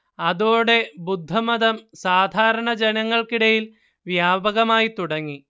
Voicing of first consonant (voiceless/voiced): voiced